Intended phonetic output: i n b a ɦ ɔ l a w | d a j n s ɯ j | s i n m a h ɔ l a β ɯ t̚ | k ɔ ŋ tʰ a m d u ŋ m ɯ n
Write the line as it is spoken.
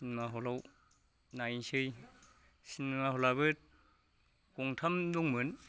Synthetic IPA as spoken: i n m a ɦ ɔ l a w | n a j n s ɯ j | s i n m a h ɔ l a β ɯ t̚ | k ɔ ŋ tʰ a m d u ŋ m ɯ n